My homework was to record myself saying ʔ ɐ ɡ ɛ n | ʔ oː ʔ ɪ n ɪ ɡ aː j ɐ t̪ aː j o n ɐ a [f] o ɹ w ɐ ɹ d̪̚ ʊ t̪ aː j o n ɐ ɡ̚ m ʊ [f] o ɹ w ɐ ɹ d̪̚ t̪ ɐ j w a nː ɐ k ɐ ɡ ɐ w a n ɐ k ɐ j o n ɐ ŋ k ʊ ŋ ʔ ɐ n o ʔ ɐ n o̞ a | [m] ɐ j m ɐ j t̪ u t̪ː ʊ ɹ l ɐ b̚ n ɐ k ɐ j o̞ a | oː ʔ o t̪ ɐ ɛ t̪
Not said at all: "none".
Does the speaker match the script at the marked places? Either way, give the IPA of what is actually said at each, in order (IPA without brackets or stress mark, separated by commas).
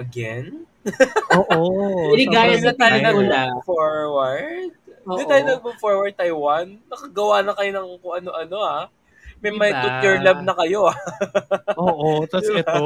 f, f, m